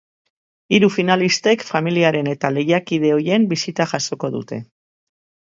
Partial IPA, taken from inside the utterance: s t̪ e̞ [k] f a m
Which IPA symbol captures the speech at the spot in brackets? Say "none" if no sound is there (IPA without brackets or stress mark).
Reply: k